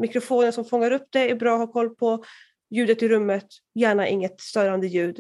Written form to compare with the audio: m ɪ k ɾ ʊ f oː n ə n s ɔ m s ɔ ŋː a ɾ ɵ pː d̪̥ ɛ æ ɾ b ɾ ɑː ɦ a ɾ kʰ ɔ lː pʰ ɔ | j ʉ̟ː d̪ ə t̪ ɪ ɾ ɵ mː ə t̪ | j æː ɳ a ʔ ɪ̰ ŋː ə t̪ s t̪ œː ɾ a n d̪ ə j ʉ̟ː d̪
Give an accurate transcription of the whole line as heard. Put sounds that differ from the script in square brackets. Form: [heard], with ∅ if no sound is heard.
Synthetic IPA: m ɪ k ɾ ʊ f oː n ə n s ɔ m [f] ɔ ŋː a ɾ ɵ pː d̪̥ ɛ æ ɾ b ɾ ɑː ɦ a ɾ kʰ ɔ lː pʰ ɔ | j ʉ̟ː d̪ ə t̪ ɪ ɾ ɵ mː ə t̪ | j æː ɳ a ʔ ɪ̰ ŋː ə t̪ s t̪ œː ɾ a n d̪ ə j ʉ̟ː d̪